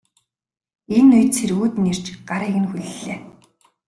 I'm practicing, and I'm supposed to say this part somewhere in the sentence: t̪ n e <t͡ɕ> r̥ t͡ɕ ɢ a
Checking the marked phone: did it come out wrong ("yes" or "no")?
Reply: yes